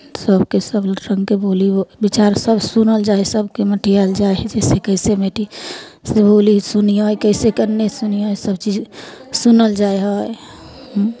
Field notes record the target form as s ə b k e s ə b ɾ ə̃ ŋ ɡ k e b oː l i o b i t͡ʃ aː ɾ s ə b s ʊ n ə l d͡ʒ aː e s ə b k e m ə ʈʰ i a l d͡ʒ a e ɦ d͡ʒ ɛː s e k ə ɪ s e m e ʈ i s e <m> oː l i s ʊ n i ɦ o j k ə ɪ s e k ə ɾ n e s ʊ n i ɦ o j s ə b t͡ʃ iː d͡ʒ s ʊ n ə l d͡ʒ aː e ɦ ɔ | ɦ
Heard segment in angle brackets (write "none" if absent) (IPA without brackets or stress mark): b